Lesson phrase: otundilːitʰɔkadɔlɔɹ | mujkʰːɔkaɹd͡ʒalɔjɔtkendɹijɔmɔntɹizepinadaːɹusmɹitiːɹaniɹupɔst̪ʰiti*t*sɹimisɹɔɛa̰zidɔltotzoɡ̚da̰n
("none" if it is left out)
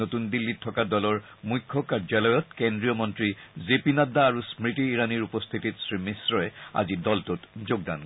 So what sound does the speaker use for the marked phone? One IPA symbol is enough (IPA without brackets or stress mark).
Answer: t